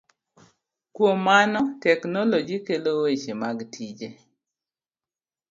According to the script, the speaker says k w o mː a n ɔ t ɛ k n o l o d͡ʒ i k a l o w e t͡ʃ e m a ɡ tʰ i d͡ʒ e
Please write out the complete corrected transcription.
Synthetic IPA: k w o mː a n ɔ t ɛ k n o l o d͡ʒ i k e l o w e t͡ʃ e m a ɡ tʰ i d͡ʒ e